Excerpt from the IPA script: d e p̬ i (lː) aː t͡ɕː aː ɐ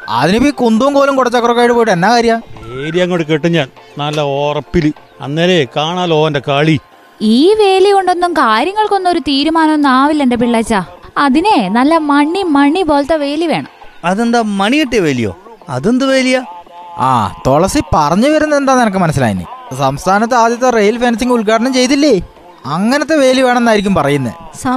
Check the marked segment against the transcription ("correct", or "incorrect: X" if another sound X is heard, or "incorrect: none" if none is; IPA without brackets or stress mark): incorrect: ɭː